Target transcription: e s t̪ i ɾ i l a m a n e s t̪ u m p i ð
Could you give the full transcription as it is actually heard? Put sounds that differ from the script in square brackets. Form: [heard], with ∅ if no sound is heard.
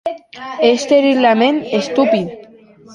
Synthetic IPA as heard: e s t̪ [e] ɾ i l a m [e] n e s t̪ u [∅] p i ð

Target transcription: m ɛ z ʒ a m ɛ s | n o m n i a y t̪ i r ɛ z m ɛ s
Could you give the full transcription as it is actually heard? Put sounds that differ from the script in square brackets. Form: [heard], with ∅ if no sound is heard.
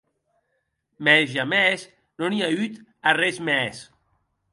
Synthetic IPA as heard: m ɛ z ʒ a m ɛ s | n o [∅] n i a y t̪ [a] r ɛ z m ɛ s

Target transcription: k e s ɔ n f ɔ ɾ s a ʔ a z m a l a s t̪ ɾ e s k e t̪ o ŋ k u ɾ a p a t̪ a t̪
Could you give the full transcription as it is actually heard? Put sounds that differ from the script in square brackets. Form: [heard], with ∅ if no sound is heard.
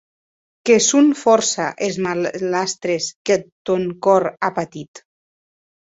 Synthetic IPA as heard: k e s [u] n f ɔ ɾ s a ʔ [e] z m a l a s t̪ ɾ e s k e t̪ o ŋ k [ɔ] ɾ a p a t̪ [i] t̪

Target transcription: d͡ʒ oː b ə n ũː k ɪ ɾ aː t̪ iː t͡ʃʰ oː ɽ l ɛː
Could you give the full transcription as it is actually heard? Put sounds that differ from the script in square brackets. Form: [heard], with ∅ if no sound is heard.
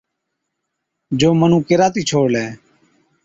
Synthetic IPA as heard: d͡ʒ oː [m] ə n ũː k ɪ ɾ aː t̪ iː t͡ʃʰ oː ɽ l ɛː

